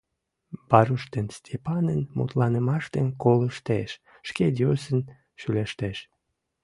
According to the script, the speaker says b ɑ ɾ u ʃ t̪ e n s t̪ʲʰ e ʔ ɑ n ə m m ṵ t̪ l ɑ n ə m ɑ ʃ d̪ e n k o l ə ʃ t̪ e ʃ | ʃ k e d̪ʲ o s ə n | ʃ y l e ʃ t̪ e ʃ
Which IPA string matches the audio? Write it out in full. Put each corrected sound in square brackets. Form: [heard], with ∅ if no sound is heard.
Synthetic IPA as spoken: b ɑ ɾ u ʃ t̪ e n s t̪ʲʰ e [p] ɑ n ə [n] m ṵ t̪ l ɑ n ə m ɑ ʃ [t̪] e n k o l ə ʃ t̪ e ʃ | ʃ k e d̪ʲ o s ə n | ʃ y l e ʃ t̪ e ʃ